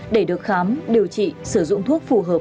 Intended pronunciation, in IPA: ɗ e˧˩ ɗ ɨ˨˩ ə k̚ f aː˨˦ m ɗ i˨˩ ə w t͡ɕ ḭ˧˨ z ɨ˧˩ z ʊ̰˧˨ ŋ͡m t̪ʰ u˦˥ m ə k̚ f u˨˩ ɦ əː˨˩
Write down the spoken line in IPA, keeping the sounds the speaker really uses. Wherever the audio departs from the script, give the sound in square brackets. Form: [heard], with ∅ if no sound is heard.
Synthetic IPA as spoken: ɗ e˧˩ ɗ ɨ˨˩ ə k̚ [x] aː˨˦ m ɗ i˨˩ ə w t͡ɕ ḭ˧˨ [s] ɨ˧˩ z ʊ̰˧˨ ŋ͡m t̪ʰ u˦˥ [∅] ə k̚ f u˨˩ ɦ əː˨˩